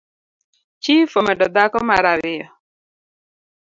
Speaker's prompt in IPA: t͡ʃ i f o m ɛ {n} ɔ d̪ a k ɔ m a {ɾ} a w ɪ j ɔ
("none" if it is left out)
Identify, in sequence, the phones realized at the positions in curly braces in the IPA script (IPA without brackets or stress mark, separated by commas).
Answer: d, ɾ